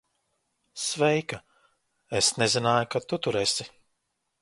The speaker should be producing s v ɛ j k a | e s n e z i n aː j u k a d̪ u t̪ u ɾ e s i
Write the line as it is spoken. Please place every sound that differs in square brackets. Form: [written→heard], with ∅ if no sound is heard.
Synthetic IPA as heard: s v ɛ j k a | e s n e z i n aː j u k a [d̪→t̪] u t̪ u ɾ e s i